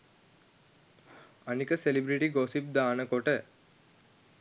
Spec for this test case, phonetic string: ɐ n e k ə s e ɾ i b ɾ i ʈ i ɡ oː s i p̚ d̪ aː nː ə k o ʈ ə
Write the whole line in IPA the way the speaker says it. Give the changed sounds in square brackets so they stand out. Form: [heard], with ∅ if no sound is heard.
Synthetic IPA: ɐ n [i] k ə s e [l] i b ɾ i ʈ i ɡ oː s i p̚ d̪ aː [n] ə k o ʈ ə

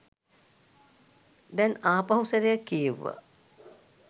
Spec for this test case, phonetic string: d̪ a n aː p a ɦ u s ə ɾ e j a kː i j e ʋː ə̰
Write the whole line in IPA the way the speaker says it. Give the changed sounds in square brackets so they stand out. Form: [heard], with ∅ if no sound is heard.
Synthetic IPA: d̪ [ɛ] n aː p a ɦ u s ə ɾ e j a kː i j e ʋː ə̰

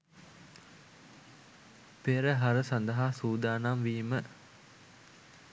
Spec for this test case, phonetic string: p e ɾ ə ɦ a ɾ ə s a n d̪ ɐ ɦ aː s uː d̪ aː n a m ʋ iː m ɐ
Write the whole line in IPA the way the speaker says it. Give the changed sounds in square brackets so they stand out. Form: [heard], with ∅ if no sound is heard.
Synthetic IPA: p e ɾ ə ɦ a ɾ ə s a n d̪ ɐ ɦ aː s uː d̪ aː n a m ʋ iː m [ə]

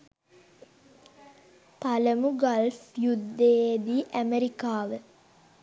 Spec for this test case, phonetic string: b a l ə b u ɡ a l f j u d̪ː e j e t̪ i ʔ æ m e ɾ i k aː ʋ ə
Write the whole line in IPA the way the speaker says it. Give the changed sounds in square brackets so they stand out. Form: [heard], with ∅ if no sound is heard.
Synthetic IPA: [p] a l ə [m] u ɡ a l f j u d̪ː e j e [d̪] i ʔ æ m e ɾ i k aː ʋ ə

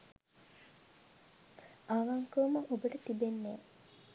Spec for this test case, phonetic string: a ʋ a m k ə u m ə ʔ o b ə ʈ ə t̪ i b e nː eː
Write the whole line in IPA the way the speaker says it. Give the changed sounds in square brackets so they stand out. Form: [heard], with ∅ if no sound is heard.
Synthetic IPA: a ʋ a [ŋ] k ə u m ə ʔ o b ə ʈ ə t̪ i b e nː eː

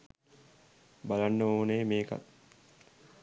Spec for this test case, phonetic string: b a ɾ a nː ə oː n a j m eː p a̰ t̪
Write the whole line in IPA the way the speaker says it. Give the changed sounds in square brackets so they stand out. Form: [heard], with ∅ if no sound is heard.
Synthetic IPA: b a [l] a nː ə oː n [e] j m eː [k] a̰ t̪

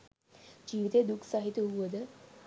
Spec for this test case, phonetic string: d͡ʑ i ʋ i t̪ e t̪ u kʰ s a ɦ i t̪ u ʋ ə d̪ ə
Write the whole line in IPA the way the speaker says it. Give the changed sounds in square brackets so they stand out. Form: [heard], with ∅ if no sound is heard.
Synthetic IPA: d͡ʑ i ʋ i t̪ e [d̪] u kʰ s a ɦ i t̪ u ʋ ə d̪ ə

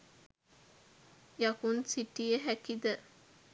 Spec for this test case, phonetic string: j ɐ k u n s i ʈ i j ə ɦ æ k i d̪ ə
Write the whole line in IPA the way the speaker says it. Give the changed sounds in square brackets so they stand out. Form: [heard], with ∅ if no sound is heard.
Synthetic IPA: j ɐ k u n s i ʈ i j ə ɦ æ k i d̪ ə

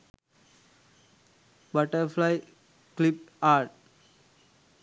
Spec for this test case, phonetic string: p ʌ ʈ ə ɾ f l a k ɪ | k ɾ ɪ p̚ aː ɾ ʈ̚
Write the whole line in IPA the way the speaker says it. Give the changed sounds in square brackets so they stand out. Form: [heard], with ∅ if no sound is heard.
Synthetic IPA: [b] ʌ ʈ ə ɾ f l a [∅] ɪ | k [l] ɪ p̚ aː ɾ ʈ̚

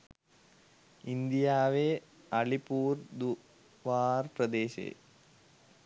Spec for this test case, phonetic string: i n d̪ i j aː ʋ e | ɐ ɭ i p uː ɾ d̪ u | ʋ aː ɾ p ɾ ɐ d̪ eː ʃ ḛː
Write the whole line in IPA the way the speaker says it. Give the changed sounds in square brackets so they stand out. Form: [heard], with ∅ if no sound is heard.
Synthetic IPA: i n d̪ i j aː ʋ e | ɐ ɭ i p uː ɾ d̪ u | ʋ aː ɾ p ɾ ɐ d̪ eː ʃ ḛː

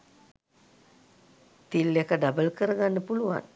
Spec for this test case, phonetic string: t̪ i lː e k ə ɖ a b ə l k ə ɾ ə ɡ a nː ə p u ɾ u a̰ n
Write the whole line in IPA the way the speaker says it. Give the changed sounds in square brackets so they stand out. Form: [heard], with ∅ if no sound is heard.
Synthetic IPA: t̪ i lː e k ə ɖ a b ə l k ə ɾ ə ɡ a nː ə p u [l] u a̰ n

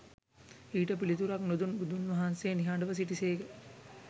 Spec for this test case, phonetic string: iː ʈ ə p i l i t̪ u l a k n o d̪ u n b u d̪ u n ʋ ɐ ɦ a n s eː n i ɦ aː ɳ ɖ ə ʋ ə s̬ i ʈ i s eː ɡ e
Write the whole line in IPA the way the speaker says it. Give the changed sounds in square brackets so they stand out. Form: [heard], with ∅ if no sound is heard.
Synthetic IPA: iː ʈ ə p i l i t̪ u [ɾ] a k n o d̪ u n b u d̪ u n ʋ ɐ ɦ a n s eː n i ɦ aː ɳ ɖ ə ʋ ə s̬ i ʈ i s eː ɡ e

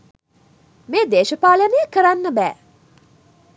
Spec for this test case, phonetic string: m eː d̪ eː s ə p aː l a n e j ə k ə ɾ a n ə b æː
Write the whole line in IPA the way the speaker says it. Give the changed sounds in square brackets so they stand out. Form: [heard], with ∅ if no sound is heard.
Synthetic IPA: m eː d̪ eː [ʃ] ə p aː l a n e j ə k ə ɾ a [nː] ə b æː

